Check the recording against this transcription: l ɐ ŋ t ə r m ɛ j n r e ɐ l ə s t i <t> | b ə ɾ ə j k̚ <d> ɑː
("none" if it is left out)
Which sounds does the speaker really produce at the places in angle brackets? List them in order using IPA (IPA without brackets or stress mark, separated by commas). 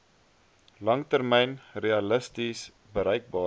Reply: s, b